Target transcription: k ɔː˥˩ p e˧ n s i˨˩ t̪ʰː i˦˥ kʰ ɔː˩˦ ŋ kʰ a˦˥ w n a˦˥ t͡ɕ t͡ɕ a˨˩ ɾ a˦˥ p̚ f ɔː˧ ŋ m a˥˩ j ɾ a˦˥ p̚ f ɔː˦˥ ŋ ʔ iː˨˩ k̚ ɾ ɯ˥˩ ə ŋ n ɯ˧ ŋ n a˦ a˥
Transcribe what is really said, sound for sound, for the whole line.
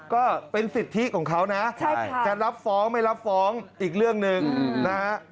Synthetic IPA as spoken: k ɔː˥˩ p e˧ n s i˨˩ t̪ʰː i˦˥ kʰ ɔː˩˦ ŋ kʰ a˦˥ w n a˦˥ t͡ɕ t͡ɕ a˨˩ ɾ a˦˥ p̚ f ɔː˦˥ ŋ m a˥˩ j ɾ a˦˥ p̚ f ɔː˦˥ ŋ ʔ iː˨˩ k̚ ɾ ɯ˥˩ ə ŋ n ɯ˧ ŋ n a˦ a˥